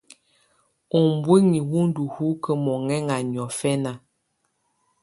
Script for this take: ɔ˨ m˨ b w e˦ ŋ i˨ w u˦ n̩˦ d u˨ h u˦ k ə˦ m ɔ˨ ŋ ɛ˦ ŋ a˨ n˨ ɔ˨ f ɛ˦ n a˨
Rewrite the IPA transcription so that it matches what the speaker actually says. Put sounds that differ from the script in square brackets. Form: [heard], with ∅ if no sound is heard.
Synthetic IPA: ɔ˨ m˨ b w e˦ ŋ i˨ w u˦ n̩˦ d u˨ h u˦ k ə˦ m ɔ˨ ŋ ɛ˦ ŋ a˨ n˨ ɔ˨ f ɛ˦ n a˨

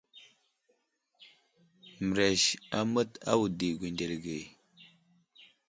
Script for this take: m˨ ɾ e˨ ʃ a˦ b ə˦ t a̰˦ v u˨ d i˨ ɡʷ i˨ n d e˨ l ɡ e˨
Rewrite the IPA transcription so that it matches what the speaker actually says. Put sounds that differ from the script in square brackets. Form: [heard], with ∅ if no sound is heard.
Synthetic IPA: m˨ ɾ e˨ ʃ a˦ [m] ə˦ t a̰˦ [w] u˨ d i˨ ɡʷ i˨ n d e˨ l ɡ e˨

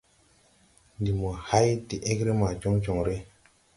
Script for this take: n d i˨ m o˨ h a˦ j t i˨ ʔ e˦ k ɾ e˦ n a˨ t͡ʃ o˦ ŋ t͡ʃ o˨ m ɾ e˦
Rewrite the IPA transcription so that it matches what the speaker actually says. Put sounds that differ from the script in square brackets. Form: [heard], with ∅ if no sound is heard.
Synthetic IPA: n d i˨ m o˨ h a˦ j t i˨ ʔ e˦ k ɾ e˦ [m] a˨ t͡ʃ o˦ ŋ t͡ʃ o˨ [ŋ] ɾ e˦

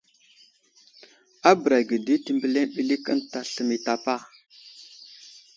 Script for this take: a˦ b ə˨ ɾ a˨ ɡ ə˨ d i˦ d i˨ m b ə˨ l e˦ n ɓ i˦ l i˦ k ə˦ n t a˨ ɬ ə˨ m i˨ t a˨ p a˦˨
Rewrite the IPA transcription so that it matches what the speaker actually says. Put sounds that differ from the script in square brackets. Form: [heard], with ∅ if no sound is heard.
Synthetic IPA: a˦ b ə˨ ɾ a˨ ɡ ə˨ d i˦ [t] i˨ m b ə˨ l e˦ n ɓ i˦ l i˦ k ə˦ n t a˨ ɬ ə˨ m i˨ t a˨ p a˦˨

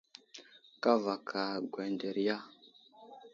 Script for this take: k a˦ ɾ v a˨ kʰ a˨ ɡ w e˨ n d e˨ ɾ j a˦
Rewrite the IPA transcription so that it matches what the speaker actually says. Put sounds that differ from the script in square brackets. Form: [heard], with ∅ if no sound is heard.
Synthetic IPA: k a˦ [∅] v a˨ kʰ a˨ ɡ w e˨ n d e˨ ɾ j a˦

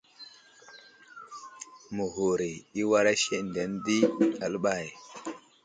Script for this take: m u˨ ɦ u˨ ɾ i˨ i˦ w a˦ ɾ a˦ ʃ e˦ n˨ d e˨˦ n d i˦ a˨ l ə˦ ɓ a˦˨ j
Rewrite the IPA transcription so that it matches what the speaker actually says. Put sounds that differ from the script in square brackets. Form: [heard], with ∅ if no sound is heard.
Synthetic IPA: m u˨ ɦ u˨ ɾ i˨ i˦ w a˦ ɾ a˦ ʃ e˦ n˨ d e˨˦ n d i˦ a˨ l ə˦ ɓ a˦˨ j

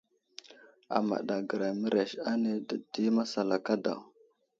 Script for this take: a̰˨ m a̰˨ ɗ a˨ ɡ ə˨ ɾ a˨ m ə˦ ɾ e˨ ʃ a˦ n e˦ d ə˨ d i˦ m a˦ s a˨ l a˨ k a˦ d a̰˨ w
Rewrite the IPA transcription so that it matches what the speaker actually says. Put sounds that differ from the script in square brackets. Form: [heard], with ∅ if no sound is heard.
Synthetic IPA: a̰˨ m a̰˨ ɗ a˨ ɡ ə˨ ɾ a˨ m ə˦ ɾ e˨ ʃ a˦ n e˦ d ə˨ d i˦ m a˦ s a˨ l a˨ k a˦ d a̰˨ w

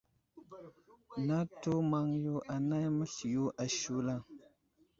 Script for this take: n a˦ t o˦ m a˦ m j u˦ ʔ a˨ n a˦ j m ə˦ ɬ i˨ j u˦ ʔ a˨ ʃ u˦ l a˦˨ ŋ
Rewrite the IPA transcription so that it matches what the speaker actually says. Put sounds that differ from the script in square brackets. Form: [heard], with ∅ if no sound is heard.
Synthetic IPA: n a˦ t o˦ m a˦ [ŋ] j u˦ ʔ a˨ n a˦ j m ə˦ ɬ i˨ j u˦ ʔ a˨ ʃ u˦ l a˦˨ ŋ

